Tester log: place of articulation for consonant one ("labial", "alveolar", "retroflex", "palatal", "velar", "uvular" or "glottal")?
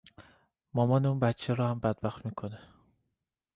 labial